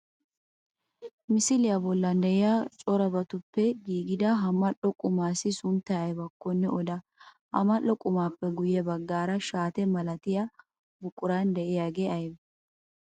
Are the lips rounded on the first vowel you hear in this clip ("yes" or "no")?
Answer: no